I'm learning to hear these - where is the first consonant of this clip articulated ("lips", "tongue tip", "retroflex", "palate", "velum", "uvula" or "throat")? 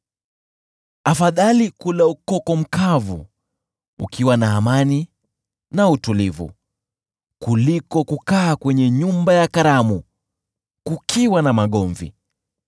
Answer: lips